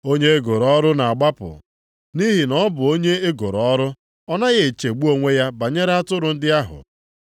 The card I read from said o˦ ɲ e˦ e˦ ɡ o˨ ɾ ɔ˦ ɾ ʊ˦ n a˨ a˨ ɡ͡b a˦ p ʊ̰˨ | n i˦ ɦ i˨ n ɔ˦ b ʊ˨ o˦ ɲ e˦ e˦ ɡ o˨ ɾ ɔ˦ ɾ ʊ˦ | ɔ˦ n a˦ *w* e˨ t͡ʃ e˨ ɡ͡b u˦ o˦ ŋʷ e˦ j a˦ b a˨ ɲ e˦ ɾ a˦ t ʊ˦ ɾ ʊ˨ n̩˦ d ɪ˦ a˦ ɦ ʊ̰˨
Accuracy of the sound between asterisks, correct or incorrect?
incorrect